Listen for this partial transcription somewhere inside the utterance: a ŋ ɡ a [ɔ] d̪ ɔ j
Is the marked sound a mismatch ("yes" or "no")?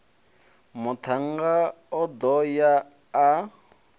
no